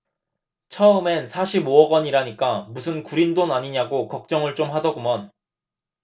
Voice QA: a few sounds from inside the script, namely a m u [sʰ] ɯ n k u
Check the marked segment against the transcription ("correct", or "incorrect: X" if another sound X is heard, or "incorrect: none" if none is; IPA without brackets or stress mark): correct